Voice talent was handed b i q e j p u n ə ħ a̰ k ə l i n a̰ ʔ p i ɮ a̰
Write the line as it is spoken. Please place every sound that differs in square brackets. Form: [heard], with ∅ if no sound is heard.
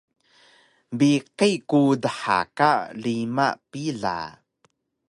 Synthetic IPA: b i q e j [k] u [d] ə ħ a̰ k [a] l i [m] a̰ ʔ p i ɮ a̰